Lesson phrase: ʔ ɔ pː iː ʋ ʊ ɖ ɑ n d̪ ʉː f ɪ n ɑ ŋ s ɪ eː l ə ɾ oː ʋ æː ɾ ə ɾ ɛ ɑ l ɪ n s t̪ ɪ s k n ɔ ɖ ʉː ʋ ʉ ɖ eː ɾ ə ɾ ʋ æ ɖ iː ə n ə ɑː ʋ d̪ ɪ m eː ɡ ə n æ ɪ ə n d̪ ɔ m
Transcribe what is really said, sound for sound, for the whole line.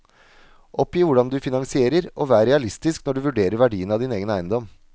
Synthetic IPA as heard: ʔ ɔ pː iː ʋ ʊ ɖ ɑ n d̪ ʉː f ɪ n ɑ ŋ s ɪ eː ɾ ə ɾ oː ʋ æː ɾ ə ɾ ɛ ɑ l ɪ s t̪ ɪ s k n ɔ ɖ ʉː ʋ ʉ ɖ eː ɾ ə ɾ ʋ æ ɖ iː ə n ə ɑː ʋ d̪ ɪ n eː ɡ ə n æ ɪ ə n d̪ ɔ m